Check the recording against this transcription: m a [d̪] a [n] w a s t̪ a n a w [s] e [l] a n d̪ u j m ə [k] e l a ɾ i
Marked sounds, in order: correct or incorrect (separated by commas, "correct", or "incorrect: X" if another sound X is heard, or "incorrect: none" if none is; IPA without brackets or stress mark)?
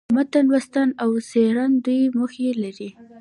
incorrect: t̪, correct, correct, incorrect: ɾ, incorrect: x